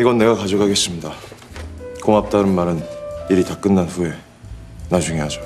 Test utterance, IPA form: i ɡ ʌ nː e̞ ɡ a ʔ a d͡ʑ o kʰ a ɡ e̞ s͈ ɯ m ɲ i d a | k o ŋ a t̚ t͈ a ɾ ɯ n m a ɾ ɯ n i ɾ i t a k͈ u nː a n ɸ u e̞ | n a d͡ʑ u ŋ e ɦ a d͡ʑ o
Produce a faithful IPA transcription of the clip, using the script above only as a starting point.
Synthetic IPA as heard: i ɡ ʌ nː e̞ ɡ a k a d͡ʑ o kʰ a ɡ e̞ s͈ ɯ m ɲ i d a | k o ŋ a p̚ t͈ a ɾ ɯ n m a ɾ ɯ n i ɾ i t a k͈ ɯ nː a n ɸ u e̞ | n a d͡ʑ u ŋ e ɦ a d͡ʑ o